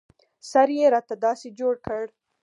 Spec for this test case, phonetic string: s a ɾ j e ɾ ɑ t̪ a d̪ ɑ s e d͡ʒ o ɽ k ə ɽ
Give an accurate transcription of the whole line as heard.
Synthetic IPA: s a ɾ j e ɾ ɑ t̪ a d̪ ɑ s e d͡ʒ o ɽ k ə ɽ